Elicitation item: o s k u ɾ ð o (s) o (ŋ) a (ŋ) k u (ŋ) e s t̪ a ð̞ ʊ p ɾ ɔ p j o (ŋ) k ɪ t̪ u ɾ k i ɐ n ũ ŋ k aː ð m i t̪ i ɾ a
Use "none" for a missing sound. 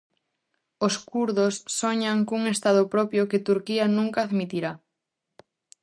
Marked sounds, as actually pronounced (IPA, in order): sː, ɲ, ŋ, ŋ, none

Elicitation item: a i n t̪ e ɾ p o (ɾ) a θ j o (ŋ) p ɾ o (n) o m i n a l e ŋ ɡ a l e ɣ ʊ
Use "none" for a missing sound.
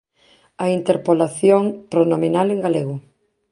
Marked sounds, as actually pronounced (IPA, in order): l, ŋ, n

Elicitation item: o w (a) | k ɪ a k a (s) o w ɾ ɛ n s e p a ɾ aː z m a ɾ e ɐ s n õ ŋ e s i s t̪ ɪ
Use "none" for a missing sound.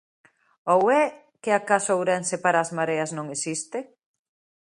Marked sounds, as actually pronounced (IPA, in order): ɛ, s

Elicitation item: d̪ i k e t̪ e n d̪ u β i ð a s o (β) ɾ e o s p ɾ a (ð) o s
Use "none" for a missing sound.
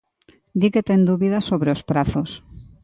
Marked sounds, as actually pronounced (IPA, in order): β, θ

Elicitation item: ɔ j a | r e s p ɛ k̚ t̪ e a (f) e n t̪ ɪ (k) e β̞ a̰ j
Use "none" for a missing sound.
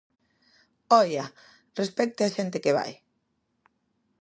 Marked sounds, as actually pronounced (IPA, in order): ʃ, k

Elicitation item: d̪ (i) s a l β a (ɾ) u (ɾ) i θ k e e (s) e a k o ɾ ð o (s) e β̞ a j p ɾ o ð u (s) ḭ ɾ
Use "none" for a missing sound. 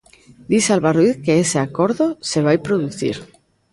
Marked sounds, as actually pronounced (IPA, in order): i, r, none, s, s, θ

